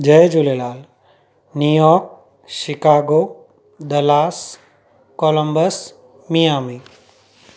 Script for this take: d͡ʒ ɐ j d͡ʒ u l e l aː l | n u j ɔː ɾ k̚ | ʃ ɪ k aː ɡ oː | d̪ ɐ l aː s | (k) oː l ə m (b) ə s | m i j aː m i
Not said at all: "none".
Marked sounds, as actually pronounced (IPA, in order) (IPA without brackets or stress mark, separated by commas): k, b